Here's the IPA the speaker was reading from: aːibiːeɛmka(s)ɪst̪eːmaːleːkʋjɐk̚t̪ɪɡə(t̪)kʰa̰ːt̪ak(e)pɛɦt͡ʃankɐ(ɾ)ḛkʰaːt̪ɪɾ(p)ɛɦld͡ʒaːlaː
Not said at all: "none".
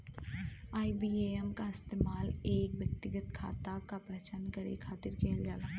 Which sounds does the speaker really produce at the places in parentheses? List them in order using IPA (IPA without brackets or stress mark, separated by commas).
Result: none, t̪, a, ɾ, k